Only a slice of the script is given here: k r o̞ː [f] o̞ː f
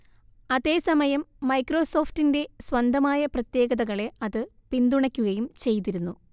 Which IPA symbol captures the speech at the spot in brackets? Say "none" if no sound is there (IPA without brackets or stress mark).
s